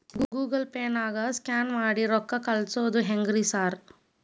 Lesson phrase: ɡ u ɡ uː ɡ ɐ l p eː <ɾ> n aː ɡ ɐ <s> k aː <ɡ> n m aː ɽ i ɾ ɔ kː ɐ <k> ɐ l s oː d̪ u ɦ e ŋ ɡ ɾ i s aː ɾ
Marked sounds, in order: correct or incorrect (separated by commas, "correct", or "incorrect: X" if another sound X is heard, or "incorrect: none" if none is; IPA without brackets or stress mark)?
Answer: incorrect: none, correct, incorrect: none, correct